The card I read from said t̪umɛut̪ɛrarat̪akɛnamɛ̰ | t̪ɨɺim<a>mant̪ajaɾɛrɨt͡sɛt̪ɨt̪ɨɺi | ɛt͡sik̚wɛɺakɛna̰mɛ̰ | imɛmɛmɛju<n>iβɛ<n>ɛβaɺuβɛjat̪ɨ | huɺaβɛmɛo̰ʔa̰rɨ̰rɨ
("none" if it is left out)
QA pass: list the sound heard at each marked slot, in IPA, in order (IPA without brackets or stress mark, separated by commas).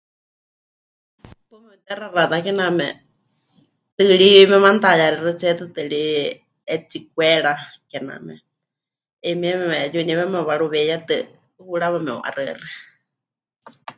ɛ, n, m